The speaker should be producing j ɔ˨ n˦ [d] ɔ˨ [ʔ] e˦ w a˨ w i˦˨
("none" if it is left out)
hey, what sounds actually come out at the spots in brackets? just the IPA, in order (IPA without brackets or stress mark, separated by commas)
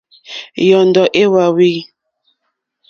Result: d, ʔ